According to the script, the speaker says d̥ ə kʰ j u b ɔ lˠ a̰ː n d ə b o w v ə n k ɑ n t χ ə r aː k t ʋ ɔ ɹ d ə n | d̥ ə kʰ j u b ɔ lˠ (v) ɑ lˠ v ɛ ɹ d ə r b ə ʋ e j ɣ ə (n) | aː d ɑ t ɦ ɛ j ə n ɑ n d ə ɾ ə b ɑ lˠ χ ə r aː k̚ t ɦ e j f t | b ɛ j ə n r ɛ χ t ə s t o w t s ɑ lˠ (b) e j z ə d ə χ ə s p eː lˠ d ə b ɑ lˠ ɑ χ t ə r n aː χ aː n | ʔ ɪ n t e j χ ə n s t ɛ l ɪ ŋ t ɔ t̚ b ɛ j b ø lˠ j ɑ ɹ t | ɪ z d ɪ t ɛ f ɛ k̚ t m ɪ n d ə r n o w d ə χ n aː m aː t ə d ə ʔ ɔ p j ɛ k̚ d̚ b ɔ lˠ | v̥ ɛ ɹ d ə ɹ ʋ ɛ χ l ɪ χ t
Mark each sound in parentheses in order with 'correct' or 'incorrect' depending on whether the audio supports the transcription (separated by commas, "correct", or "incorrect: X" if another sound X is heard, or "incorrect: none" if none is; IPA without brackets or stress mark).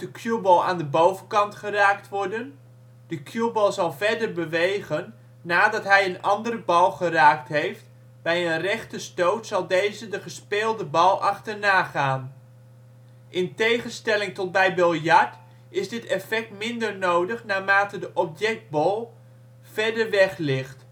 incorrect: z, incorrect: nː, incorrect: d